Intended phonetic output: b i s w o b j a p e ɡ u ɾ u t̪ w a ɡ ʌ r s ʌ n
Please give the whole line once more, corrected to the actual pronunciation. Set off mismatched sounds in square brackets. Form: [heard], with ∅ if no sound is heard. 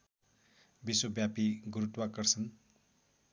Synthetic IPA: b i s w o b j a p [i] ɡ u ɾ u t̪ w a [k] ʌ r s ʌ n